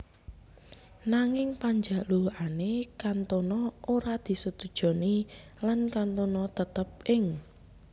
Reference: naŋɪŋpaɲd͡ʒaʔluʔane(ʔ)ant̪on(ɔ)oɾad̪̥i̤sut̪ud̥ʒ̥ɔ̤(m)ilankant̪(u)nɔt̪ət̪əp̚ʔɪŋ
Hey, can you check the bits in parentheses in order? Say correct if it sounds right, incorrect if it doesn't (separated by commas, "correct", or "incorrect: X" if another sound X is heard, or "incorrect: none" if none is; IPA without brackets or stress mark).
incorrect: k, correct, incorrect: n, incorrect: o